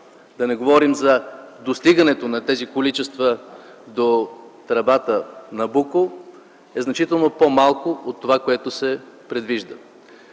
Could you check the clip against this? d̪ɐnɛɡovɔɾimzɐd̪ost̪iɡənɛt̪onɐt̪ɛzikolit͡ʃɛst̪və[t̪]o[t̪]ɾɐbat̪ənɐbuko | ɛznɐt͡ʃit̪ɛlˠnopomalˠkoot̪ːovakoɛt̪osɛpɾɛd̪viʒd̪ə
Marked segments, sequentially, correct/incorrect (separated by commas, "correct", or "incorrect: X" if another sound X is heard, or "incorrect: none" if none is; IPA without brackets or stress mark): incorrect: d̪, correct